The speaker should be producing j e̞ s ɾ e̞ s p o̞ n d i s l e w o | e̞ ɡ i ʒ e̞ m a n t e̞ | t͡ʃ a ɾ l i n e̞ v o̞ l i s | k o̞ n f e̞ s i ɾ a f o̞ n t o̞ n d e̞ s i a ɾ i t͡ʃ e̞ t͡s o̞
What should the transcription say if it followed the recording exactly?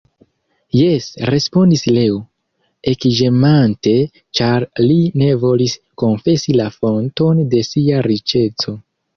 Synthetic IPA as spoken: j e̞ s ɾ e̞ s p o̞ n d i s l e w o | e̞ k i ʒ e̞ m a n t e̞ | t͡ʃ a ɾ l i n e̞ v o̞ l i s | k o̞ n f e̞ s i l a f o̞ n t o̞ n d e̞ s i a ɾ i t͡ʃ e̞ t͡s o̞